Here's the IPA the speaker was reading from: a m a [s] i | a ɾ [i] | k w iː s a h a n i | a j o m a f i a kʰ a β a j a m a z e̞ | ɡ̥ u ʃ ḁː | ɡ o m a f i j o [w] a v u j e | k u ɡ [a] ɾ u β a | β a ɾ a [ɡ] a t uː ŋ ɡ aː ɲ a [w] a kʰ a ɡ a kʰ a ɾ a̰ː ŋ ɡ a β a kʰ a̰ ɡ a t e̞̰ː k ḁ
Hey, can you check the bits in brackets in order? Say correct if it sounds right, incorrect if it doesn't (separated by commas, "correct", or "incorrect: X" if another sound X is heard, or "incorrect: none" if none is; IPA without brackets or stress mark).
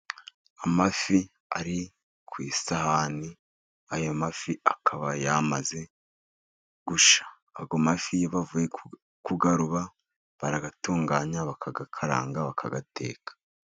incorrect: f, correct, incorrect: β, correct, correct, incorrect: β